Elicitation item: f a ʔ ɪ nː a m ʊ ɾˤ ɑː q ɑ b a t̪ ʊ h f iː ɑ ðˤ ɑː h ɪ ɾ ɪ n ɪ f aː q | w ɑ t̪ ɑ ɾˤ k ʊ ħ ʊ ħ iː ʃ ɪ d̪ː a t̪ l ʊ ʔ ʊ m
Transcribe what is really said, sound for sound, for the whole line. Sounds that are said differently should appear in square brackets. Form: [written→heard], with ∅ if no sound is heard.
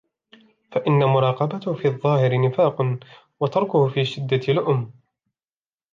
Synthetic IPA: f a ʔ ɪ nː a m ʊ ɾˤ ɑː q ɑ b a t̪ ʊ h f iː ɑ [ðˤ→ðˤː] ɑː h ɪ ɾ ɪ n ɪ f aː q | w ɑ t̪ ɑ ɾˤ k ʊ [ħ→h] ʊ [ħ→f] iː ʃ ɪ d̪ː a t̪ l ʊ ʔ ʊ m